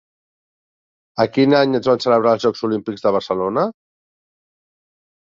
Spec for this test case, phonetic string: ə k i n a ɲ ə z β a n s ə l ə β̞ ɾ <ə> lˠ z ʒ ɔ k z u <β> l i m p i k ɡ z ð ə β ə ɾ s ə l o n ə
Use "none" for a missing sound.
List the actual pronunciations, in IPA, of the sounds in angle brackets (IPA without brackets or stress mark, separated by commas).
a, none